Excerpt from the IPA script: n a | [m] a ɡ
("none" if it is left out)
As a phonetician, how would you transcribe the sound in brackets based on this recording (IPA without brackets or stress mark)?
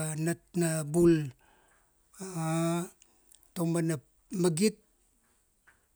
m